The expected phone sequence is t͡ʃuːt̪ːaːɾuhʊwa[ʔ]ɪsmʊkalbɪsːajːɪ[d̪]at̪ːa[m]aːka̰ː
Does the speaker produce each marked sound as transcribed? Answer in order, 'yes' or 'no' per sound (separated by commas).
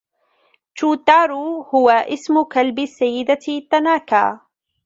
yes, yes, no